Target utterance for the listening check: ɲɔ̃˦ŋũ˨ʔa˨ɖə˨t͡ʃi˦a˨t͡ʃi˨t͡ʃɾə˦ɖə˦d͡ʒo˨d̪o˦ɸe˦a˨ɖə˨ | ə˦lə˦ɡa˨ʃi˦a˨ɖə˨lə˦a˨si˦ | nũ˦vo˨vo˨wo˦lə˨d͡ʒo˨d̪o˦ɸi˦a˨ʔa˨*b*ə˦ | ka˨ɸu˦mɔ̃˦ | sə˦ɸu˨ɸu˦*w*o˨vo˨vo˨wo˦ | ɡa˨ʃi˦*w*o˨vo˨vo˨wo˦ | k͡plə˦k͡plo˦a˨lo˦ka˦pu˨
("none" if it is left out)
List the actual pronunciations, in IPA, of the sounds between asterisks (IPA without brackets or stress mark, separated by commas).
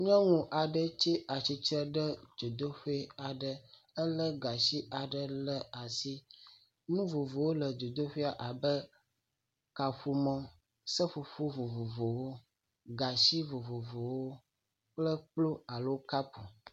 b, v, v